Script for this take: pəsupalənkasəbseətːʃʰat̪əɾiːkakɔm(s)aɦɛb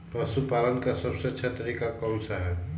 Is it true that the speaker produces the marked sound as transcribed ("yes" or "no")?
yes